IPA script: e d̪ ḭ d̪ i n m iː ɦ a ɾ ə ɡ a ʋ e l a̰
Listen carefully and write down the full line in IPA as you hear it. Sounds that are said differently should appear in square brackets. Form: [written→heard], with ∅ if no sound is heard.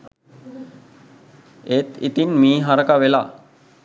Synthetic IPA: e [d̪→t̪] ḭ [d̪→t̪] i n m iː ɦ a ɾ ə [ɡ→k] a ʋ e l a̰